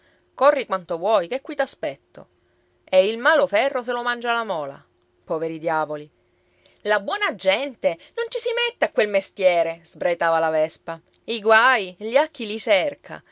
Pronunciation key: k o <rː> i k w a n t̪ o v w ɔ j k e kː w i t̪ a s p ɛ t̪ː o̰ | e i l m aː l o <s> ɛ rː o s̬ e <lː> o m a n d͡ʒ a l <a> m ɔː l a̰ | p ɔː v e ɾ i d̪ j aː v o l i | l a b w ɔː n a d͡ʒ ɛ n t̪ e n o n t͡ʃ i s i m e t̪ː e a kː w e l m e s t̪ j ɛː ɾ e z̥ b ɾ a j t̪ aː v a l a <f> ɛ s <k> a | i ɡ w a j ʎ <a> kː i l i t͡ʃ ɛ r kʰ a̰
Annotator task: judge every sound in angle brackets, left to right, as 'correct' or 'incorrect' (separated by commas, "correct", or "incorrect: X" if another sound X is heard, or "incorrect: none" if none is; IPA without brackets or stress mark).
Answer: correct, incorrect: f, incorrect: l, correct, incorrect: v, incorrect: p, correct